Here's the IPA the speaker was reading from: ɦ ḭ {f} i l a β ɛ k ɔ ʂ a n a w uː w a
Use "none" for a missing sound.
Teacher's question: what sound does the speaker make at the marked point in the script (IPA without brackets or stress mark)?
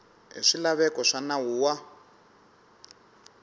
ʂ